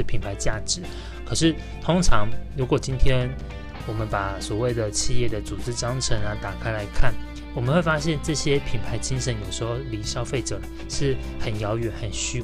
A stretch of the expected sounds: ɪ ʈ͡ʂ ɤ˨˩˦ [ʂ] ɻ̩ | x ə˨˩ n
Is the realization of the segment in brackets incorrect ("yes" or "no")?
no